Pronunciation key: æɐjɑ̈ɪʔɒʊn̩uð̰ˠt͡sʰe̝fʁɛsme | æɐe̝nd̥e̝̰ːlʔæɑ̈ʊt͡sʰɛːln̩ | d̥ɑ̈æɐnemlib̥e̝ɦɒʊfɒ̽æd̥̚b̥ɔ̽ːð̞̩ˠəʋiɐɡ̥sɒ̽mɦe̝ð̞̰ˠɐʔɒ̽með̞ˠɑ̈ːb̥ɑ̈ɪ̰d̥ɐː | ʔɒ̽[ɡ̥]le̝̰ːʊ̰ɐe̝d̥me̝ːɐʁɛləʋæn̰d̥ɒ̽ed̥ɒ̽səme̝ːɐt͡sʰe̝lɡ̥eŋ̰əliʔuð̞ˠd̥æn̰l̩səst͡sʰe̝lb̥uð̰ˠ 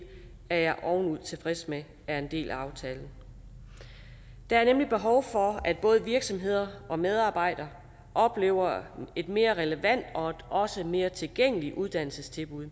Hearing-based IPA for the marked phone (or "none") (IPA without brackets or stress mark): b̥